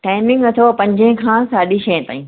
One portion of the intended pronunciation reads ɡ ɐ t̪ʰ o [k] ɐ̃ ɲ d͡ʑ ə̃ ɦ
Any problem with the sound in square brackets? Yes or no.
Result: yes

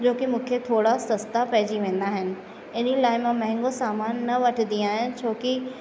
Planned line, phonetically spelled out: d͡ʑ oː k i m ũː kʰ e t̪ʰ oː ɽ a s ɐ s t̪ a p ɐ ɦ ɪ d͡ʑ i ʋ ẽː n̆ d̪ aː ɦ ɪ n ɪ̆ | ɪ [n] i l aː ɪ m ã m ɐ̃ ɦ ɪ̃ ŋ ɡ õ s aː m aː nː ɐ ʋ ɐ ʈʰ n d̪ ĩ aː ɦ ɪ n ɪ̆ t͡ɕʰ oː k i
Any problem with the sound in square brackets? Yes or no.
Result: no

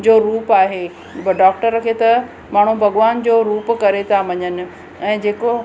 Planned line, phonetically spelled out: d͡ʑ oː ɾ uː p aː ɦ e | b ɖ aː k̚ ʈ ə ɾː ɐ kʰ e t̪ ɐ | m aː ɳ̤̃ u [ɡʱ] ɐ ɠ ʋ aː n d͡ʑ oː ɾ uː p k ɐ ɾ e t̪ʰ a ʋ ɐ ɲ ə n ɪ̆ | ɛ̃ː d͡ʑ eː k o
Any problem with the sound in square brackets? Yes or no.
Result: yes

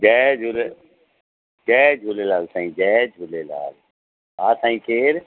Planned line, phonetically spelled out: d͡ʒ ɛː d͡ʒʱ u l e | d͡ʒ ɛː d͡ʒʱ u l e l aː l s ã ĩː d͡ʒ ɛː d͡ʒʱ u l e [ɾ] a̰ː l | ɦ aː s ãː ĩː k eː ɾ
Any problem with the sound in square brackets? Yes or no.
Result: yes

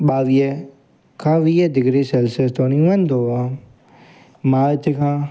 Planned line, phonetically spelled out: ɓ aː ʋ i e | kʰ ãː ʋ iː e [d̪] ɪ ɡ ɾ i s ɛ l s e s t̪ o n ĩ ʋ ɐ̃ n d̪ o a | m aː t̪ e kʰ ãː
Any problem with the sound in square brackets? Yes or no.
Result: no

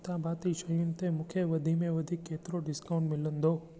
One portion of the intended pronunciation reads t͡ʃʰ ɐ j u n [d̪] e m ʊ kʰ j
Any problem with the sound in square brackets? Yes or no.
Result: yes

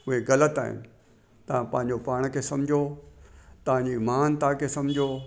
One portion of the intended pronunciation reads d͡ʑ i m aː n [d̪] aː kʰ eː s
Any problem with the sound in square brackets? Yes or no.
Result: yes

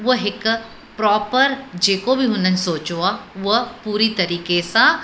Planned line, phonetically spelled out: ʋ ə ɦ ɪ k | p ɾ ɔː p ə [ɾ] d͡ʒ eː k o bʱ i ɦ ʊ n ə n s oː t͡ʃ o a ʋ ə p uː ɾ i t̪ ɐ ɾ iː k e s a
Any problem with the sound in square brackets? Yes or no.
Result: no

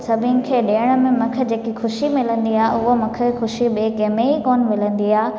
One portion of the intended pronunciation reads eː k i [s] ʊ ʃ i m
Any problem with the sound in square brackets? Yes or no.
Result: yes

